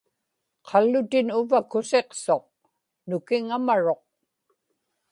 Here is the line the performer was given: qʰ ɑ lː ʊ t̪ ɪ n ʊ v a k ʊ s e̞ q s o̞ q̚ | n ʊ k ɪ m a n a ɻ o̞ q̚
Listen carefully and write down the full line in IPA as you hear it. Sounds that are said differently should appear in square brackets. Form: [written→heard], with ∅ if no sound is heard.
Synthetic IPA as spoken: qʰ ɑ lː ʊ t̪ ɪ n ʊ v a k ʊ s e̞ q s o̞ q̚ | n ʊ k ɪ [m→ŋ] a [n→m] a ɻ o̞ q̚